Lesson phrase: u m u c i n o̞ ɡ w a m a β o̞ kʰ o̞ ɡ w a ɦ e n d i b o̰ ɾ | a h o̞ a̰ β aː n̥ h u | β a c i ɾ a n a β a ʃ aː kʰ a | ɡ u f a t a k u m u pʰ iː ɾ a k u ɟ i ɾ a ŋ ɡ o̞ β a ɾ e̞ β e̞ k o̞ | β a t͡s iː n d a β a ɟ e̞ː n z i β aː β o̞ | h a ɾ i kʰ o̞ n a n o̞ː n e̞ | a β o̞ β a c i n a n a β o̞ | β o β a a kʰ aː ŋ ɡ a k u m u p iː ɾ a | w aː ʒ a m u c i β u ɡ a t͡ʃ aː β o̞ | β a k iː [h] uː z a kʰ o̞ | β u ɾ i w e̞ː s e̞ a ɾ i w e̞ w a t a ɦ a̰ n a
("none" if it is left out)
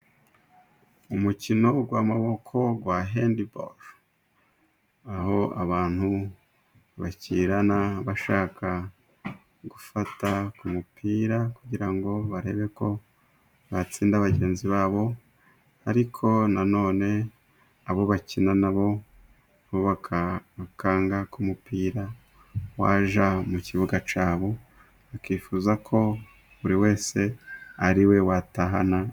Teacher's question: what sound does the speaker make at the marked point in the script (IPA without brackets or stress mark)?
f